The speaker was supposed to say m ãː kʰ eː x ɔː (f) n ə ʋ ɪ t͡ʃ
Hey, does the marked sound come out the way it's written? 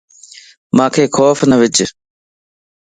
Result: yes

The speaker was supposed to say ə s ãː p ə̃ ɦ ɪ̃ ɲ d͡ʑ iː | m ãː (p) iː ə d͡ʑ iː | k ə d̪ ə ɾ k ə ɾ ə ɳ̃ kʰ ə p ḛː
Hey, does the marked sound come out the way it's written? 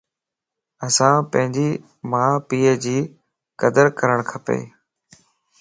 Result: yes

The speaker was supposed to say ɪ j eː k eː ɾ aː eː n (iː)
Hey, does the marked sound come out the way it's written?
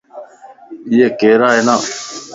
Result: no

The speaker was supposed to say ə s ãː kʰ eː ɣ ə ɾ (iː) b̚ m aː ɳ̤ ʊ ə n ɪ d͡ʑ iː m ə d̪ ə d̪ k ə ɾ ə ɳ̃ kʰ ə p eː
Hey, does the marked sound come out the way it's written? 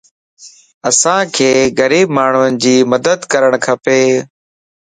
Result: yes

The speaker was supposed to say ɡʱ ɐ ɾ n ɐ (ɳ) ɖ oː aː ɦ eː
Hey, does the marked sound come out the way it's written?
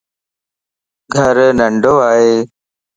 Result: yes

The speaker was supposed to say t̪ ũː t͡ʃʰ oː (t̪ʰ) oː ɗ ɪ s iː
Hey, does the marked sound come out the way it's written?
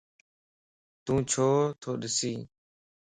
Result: yes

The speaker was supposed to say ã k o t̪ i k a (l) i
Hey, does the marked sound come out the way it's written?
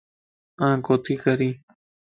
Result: no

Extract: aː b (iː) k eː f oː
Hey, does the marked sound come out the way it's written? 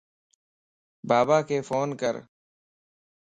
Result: no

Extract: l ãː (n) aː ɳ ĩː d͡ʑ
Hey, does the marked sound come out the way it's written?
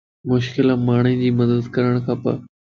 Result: no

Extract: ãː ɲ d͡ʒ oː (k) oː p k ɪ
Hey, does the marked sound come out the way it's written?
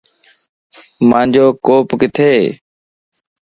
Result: yes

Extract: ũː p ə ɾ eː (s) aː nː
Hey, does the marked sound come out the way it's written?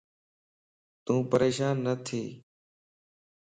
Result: no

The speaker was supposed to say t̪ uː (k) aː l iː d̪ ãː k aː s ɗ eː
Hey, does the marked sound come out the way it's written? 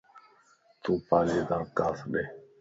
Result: no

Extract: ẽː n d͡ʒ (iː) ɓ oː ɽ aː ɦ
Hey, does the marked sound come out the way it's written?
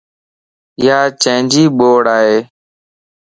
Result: yes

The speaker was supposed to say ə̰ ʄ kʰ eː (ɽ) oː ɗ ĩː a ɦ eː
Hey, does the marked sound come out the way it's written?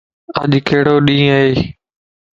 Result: yes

